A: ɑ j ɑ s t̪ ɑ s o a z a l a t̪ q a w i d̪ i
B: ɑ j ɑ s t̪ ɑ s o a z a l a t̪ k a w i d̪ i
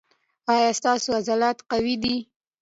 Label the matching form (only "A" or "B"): A